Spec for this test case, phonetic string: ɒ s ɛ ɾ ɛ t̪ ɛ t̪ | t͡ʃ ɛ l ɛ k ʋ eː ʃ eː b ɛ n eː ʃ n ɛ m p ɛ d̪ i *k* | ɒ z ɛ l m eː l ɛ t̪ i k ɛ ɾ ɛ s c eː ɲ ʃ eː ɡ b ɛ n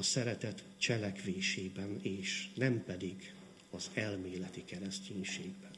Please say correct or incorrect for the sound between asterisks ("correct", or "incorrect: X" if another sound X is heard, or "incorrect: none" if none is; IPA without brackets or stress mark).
incorrect: ɡ